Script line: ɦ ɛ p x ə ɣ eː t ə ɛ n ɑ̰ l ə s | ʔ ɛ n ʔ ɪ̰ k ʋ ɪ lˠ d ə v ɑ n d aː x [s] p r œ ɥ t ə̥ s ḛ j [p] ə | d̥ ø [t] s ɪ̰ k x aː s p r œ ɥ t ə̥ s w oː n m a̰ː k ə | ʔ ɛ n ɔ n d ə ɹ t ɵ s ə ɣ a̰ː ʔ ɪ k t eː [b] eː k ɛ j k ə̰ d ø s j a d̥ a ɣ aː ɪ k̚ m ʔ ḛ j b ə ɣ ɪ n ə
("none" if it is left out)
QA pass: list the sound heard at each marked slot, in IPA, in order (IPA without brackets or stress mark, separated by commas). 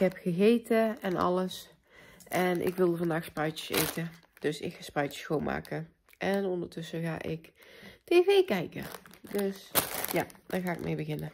s, t, none, v